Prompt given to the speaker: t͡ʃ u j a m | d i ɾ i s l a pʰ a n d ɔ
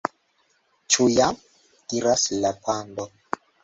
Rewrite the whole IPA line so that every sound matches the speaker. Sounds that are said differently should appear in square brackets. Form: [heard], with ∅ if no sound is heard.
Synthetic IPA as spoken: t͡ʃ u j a m | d i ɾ [a] s l a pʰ a n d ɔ